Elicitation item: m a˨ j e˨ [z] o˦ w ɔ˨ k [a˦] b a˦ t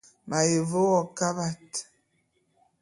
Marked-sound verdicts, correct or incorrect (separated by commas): incorrect, correct